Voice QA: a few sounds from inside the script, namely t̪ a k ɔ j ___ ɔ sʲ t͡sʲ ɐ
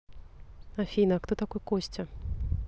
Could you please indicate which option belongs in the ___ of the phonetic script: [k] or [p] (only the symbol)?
k